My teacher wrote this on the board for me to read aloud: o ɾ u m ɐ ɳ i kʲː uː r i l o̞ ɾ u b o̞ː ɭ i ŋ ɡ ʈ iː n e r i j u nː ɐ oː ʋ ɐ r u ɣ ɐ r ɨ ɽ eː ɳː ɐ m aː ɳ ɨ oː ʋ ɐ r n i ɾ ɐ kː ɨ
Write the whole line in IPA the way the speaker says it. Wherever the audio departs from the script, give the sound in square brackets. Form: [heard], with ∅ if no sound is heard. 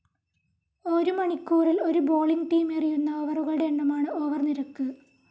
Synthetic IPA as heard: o ɾ u m ɐ ɳ i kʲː uː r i l o̞ ɾ u b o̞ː ɭ i ŋ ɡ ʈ iː [m] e r i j u nː ɐ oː ʋ ɐ r u ɣ ɐ [ɭ] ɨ ɽ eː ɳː ɐ m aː ɳ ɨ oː ʋ ɐ r n i ɾ ɐ kː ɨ